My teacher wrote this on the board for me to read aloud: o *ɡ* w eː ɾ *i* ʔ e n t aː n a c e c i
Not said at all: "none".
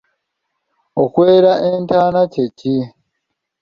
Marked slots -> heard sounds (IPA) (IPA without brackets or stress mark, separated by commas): k, a